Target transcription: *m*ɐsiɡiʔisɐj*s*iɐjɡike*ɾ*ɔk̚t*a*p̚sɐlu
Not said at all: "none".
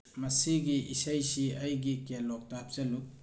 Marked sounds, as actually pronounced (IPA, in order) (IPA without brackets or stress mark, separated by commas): m, s, l, a